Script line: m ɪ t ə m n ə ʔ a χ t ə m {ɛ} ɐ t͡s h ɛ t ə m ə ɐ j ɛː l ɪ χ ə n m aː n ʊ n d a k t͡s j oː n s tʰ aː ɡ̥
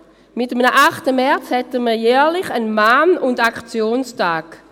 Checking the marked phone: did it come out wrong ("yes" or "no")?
no